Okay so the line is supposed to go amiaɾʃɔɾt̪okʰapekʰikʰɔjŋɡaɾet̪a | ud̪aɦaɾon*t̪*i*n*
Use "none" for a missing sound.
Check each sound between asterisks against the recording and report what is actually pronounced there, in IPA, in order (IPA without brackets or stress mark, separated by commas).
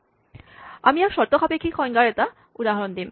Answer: d̪, m